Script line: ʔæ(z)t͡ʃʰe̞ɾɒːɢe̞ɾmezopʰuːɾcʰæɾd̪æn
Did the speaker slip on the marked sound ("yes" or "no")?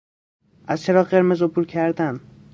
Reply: no